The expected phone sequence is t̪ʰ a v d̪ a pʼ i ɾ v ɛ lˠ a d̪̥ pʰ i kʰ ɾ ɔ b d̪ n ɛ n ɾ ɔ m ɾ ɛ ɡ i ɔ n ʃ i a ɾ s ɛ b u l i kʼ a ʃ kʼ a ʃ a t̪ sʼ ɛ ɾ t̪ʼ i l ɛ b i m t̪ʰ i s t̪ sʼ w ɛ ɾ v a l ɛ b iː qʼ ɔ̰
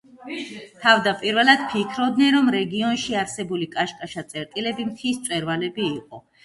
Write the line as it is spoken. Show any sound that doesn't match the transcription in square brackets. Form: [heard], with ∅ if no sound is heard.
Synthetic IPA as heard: t̪ʰ a v d̪ a pʼ i ɾ v ɛ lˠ a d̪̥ pʰ i kʰ ɾ ɔ b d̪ n ɛ n ɾ ɔ m ɾ ɛ ɡ i ɔ n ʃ i a ɾ s ɛ b u l i kʼ a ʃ kʼ a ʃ a t̪ sʼ ɛ ɾ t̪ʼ i l ɛ b i m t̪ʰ i s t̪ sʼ w ɛ ɾ v a l ɛ b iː qʼ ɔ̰

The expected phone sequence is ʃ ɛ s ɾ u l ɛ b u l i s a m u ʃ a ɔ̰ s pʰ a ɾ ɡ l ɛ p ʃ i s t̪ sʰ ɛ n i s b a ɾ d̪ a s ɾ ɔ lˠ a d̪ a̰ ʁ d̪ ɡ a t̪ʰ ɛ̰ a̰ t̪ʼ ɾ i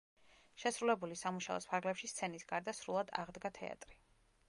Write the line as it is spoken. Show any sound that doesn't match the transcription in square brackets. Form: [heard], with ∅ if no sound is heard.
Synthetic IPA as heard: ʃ ɛ s ɾ u l ɛ b u l i s a m u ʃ a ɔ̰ s pʰ a ɾ ɡ l ɛ p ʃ i s t̪ sʰ ɛ n i s [ɡ] a ɾ d̪ a s ɾ [u] lˠ a d̪ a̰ ʁ d̪ ɡ a t̪ʰ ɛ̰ a̰ t̪ʼ ɾ i

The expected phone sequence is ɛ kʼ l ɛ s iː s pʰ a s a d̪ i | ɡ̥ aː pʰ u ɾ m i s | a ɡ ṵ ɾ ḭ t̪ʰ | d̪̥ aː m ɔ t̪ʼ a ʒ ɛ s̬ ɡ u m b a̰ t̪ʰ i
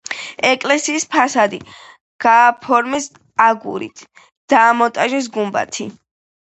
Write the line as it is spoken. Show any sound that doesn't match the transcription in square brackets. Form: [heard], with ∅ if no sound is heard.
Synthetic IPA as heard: ɛ kʼ l ɛ s iː s pʰ a s a d̪ i | ɡ̥ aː pʰ [ɔ] ɾ m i s | a ɡ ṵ ɾ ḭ t̪ʰ | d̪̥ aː m ɔ t̪ʼ a ʒ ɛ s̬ ɡ u m b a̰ t̪ʰ i

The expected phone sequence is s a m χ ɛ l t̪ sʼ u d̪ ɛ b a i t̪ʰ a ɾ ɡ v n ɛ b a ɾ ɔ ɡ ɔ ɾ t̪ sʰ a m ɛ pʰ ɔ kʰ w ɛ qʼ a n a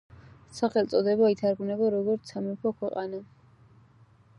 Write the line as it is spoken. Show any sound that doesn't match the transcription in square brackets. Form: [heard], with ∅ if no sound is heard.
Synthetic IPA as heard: s a [∅] χ ɛ l t̪ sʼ [ɔ] d̪ ɛ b a i t̪ʰ a ɾ ɡ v n ɛ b a ɾ ɔ ɡ ɔ ɾ t̪ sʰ a m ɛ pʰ ɔ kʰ w ɛ qʼ a n a

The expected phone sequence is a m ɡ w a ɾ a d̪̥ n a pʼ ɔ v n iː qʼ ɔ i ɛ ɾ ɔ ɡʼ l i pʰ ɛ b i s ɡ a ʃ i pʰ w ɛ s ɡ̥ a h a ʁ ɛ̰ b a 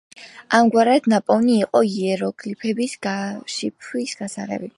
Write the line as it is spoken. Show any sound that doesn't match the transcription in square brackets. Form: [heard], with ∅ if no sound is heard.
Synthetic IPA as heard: a m ɡ w a ɾ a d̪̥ n a pʼ ɔ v n iː qʼ ɔ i ɛ ɾ ɔ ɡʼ l i pʰ ɛ b i s ɡ a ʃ i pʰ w [i] s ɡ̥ a [s] a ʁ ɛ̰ b [i]

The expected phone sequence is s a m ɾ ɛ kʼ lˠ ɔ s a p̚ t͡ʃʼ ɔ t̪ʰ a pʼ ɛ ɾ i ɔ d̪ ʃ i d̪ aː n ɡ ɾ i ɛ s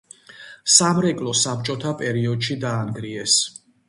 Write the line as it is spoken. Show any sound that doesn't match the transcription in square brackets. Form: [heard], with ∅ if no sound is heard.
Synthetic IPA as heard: s a m ɾ ɛ kʼ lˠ ɔ s a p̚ t͡ʃʼ ɔ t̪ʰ a pʼ ɛ ɾ i ɔ d̪ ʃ i d̪ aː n ɡ ɾ i ɛ s

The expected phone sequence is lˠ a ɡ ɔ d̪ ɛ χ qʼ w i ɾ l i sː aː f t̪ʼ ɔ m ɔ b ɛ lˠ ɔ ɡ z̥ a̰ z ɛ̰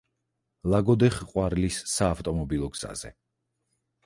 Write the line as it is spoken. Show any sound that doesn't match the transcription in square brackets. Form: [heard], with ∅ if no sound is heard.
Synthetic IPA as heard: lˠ a ɡ ɔ d̪ ɛ χ qʼ w [a] ɾ l i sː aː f t̪ʼ ɔ m ɔ b [i] lˠ ɔ ɡ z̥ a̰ z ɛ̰

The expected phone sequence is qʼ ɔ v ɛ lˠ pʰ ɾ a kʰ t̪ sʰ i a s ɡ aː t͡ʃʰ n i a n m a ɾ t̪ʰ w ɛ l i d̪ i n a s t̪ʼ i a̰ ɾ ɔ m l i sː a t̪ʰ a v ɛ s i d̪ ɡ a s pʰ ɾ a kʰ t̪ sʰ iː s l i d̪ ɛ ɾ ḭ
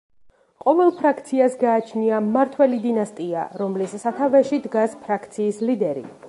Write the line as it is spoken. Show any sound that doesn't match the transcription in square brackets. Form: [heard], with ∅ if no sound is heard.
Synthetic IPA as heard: qʼ ɔ v ɛ lˠ pʰ ɾ a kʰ t̪ sʰ i a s ɡ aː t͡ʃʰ n i a [∅] m a ɾ t̪ʰ w ɛ l i d̪ i n a s t̪ʼ i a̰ ɾ ɔ m l i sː a t̪ʰ a v ɛ [ʃ] i d̪ ɡ a s pʰ ɾ a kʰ t̪ sʰ iː s l i d̪ ɛ ɾ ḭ

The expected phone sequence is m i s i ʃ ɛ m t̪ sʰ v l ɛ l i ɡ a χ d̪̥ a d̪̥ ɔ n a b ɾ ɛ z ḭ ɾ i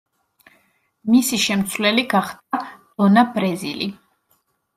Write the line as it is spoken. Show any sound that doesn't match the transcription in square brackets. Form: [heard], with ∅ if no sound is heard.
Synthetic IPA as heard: m i s i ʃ ɛ m t̪ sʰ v l ɛ l i ɡ a χ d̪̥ a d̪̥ ɔ n a b ɾ ɛ z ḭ [l] i

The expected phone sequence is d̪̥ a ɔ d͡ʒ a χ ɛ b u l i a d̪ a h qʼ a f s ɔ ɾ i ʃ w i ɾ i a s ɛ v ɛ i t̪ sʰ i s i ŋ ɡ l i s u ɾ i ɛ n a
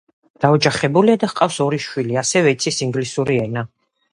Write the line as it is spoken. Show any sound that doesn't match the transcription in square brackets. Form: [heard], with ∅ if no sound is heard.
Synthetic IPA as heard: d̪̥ a ɔ d͡ʒ a χ ɛ b u l i a d̪ a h qʼ a f s ɔ ɾ i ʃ w i [l] i a s ɛ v ɛ i t̪ sʰ i s i ŋ ɡ l i s u ɾ i ɛ n a

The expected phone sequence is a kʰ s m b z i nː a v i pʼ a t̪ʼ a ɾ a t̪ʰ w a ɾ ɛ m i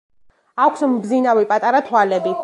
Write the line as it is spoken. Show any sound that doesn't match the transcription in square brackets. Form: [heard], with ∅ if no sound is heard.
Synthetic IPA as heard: a kʰ s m b z i [n] a v i pʼ a t̪ʼ a ɾ a t̪ʰ w a [l] ɛ [b] i

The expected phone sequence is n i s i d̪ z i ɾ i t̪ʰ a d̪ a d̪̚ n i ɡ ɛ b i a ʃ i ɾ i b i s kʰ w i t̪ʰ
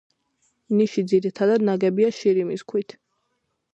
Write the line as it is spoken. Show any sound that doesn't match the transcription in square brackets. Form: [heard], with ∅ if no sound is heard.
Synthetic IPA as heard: n i [ʃ] i d̪ z i ɾ i t̪ʰ a d̪ a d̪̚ n [a] ɡ ɛ b i a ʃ i ɾ i [m] i s kʰ w i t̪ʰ

